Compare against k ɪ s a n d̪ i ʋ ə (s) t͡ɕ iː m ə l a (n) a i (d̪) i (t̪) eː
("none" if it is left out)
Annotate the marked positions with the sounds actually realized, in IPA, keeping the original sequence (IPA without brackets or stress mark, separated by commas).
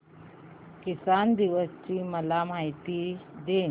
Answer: s, m, t̪, d̪